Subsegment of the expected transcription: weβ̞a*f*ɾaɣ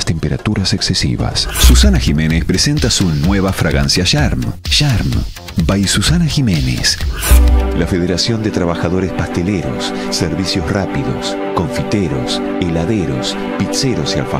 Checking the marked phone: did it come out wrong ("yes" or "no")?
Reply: no